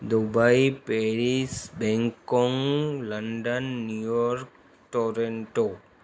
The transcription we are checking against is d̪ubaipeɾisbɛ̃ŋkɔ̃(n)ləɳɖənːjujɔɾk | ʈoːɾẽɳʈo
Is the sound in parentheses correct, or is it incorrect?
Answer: incorrect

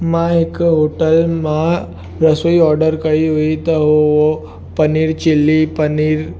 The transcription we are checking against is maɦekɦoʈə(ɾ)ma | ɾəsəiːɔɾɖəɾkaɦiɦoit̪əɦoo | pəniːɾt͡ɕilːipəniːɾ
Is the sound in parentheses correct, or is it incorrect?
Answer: incorrect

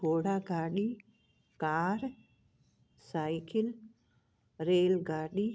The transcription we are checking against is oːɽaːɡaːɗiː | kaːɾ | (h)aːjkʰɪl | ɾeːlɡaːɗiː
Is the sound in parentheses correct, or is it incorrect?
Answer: incorrect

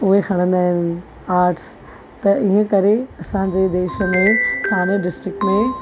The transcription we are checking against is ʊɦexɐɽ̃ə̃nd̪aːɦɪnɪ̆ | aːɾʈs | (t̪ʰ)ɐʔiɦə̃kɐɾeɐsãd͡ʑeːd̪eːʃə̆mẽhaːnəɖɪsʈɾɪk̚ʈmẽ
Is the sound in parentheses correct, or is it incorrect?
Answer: incorrect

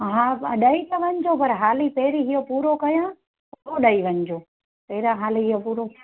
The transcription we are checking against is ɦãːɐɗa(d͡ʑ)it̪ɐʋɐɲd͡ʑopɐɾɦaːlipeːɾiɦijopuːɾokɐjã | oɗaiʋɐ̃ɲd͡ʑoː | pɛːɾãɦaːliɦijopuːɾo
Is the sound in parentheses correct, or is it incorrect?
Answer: incorrect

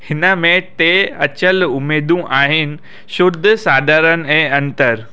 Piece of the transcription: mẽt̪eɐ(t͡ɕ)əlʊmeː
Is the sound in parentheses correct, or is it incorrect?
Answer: correct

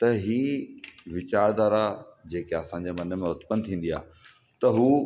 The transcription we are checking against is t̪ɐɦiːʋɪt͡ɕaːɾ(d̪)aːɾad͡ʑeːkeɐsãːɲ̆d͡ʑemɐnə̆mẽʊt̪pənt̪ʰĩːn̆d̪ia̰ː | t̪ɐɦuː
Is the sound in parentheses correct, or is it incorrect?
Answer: correct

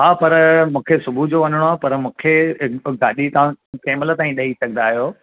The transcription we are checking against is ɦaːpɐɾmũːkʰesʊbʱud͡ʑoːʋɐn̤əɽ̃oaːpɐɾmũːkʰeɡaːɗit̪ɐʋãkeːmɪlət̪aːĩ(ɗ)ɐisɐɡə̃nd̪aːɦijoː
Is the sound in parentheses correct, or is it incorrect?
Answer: correct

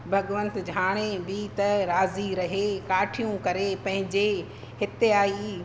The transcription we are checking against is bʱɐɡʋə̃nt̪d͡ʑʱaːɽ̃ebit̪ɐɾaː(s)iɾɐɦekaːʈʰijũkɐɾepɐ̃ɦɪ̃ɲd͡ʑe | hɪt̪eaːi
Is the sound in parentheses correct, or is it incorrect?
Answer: incorrect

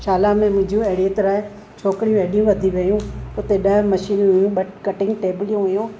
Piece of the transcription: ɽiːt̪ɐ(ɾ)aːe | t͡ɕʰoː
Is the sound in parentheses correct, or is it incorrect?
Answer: correct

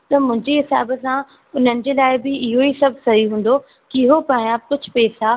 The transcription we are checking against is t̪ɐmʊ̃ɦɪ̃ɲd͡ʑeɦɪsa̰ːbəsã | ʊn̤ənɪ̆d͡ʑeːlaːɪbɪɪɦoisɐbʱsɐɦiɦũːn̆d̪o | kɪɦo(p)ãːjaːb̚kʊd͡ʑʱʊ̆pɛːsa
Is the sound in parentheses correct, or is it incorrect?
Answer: correct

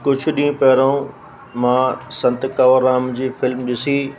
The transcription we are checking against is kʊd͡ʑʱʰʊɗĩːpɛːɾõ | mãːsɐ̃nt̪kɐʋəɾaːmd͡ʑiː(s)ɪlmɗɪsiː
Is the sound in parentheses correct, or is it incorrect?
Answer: incorrect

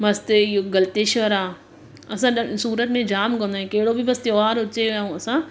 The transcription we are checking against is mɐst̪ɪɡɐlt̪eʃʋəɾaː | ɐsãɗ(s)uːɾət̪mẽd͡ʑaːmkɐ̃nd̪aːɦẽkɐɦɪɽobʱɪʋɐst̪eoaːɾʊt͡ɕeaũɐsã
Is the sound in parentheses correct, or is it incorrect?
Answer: correct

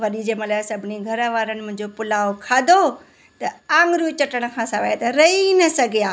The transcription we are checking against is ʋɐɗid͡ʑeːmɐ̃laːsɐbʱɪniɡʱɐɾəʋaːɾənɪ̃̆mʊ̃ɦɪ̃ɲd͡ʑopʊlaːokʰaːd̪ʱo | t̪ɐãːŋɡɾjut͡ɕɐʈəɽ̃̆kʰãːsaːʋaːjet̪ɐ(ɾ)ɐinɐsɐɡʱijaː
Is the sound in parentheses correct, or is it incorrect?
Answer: correct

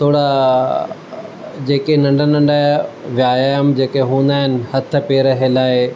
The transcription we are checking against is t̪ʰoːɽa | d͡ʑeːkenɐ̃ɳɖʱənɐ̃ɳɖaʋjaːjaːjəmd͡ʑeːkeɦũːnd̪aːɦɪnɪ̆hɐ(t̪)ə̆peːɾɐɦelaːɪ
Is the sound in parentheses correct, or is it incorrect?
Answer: incorrect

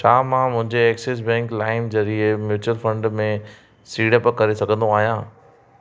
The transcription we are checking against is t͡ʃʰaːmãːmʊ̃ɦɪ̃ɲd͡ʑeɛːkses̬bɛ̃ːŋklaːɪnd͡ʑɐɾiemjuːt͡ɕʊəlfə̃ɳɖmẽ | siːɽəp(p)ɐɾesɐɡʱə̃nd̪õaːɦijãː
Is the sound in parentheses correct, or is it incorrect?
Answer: incorrect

